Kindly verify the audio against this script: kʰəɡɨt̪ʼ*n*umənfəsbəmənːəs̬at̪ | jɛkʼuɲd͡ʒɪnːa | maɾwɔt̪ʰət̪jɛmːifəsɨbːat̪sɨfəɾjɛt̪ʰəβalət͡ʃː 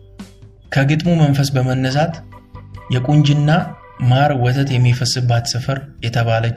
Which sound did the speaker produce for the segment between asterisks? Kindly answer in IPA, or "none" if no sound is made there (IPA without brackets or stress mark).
m